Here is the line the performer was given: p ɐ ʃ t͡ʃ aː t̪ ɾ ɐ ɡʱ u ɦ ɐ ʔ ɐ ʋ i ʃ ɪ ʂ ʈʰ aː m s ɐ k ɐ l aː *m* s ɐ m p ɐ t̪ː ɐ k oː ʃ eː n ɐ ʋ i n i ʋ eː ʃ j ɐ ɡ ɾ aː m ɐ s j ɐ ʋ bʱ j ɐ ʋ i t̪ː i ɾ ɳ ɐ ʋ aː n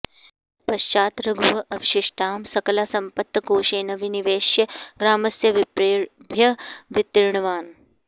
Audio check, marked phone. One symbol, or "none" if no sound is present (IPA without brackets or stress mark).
none